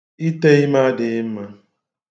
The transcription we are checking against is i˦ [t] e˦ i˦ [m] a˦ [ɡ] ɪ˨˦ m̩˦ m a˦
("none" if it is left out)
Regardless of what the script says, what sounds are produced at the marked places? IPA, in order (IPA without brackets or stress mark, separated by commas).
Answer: t, m, d